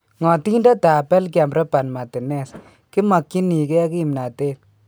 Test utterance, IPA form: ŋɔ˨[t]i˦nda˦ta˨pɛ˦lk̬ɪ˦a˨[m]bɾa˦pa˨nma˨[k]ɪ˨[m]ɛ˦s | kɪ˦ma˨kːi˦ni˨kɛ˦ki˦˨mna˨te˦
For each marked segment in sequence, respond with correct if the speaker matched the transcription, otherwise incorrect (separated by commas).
correct, correct, incorrect, incorrect